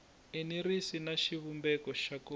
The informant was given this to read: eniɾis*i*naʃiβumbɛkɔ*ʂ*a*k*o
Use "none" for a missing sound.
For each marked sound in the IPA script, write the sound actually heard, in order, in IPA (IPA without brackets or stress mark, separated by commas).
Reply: i, ʃ, k